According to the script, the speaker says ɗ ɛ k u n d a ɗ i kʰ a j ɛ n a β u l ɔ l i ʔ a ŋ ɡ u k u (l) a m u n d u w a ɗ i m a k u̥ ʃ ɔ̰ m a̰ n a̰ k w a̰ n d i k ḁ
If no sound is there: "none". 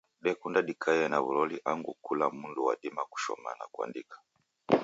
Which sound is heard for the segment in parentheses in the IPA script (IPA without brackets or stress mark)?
l